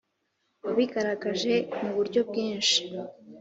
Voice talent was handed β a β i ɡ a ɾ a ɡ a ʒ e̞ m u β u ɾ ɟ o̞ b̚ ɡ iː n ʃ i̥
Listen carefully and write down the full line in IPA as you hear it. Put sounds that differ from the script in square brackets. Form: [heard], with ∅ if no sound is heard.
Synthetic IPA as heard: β a β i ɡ a ɾ a ɡ a ʒ e̞ m u β u ɾ ɟ o̞ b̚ ɡ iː n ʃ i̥